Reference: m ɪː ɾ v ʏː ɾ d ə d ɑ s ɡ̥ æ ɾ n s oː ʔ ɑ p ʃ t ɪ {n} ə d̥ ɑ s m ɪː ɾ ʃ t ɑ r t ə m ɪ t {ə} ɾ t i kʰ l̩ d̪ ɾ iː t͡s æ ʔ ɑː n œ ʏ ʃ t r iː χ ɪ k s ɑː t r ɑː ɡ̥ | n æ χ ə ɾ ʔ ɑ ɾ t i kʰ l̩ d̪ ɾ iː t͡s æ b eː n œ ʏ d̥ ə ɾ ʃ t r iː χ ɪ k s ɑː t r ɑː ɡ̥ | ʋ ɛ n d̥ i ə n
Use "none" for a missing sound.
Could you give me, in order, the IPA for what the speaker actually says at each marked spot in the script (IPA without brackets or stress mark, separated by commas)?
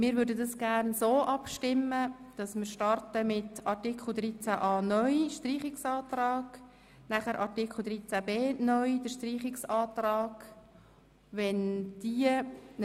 m, ɑ